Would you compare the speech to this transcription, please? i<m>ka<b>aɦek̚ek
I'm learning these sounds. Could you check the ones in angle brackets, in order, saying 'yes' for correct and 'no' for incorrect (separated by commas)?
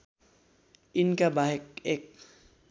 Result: no, yes